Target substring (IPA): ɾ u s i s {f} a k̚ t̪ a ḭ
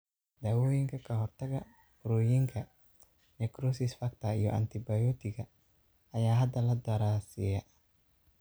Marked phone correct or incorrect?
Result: correct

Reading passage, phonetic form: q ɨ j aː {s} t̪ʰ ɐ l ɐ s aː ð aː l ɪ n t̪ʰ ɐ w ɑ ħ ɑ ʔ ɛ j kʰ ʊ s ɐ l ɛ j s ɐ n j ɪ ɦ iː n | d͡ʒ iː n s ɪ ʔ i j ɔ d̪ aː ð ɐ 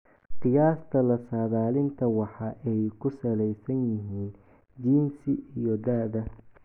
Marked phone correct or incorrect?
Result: correct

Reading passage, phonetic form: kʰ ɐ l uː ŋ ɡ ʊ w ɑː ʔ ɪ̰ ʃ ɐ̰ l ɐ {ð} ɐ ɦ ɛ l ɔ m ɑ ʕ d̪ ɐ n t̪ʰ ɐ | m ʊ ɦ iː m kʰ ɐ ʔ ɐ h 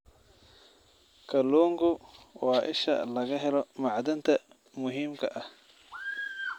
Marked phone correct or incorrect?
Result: incorrect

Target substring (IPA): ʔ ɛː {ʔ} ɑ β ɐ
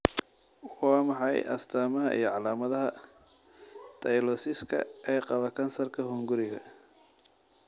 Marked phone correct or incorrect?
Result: incorrect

